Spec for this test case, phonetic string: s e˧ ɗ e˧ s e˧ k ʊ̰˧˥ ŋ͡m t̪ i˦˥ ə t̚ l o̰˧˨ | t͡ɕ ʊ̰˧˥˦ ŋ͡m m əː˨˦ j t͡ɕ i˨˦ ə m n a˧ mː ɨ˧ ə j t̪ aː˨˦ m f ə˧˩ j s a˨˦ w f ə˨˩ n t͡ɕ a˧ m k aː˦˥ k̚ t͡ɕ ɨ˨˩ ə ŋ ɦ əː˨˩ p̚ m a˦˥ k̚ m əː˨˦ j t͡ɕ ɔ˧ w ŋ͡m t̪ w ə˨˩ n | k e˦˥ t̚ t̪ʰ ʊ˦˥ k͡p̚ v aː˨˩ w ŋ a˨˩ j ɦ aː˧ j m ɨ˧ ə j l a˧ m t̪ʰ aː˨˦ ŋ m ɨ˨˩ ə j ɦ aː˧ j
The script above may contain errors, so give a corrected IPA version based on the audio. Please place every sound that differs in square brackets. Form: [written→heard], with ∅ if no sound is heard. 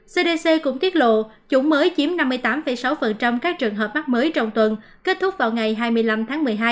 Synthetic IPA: s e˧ ɗ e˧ s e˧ k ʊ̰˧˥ ŋ͡m t̪ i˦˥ ə t̚ l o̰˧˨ | t͡ɕ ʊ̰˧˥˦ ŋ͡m m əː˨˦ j t͡ɕ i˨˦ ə m n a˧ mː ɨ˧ ə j t̪ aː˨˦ m f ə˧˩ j s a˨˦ w f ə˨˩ n t͡ɕ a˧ m k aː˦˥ k̚ t͡ɕ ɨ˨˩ ə ŋ ɦ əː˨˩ p̚ m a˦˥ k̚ m əː˨˦ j t͡ɕ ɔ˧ w ŋ͡m t̪ w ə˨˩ n | k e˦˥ t̚ t̪ʰ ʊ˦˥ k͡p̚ v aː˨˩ w ŋ a˨˩ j ɦ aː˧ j m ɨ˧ ə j l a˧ m t̪ʰ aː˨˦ ŋ m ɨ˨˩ ə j ɦ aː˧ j